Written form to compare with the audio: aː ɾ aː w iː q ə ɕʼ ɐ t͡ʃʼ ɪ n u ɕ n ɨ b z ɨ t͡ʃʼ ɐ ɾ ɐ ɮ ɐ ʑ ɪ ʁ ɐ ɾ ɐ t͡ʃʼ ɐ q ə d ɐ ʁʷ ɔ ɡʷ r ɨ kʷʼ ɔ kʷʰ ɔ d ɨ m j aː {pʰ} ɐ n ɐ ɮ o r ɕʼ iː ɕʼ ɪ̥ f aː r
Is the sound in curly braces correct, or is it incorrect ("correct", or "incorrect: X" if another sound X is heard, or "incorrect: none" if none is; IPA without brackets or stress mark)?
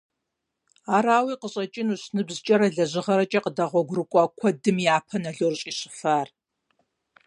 correct